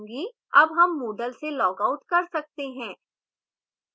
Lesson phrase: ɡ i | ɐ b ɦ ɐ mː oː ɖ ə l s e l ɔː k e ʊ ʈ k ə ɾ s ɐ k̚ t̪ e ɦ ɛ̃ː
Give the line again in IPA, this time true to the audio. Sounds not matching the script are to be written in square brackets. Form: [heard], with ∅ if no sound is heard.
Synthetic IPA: ɡ i | ɐ b ɦ ɐ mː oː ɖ ə l s e l ɔː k [a] ʊ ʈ k [ɐ] ɾ s ɐ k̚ t̪ e ɦ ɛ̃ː